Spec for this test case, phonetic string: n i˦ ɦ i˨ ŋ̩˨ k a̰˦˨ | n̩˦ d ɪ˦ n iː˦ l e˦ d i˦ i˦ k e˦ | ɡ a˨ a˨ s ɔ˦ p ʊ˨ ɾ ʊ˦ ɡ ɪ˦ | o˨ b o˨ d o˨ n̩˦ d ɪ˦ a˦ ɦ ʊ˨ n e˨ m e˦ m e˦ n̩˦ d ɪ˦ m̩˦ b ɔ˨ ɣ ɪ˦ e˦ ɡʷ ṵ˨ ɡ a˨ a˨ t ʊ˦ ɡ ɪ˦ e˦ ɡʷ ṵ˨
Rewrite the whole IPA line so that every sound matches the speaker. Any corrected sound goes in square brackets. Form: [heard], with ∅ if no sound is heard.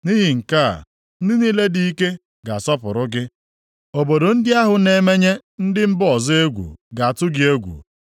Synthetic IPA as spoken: n i˦ ɦ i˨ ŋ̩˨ k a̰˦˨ | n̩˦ d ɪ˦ n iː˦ l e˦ d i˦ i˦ k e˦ | ɡ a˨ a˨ s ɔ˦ p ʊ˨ ɾ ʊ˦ ɡ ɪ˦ | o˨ b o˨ d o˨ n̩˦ d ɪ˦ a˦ ɦ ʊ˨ n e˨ m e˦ [ɲ] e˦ n̩˦ d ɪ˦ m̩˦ b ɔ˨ [z] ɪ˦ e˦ ɡʷ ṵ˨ ɡ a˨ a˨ t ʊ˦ ɡ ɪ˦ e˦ ɡʷ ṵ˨